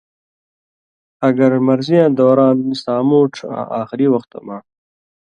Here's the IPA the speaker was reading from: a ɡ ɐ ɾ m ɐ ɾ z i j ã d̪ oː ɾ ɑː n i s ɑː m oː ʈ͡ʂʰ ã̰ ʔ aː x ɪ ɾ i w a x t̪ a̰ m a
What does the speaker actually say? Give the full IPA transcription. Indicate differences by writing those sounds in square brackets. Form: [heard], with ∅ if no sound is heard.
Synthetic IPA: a ɡ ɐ ɾ m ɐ ɾ z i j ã d̪ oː ɾ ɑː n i s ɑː m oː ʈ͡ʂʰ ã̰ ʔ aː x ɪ ɾ i w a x t̪ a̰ m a